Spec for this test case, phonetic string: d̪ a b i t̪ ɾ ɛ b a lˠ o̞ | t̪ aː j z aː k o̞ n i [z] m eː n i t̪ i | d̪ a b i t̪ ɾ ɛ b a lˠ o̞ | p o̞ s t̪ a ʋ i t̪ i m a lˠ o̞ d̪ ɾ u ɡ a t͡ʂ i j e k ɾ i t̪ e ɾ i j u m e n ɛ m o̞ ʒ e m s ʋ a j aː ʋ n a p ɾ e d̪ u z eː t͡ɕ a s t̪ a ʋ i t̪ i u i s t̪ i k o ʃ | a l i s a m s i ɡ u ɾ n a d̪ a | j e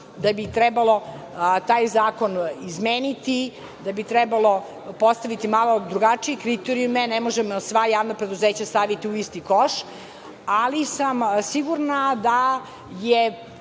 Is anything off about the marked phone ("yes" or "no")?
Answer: no